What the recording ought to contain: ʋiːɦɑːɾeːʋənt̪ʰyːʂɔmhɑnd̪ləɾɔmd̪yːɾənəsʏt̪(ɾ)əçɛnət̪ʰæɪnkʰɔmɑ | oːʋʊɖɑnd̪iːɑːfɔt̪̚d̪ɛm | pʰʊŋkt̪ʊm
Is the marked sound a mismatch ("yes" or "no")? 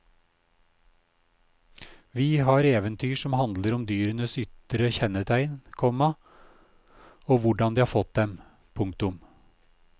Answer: no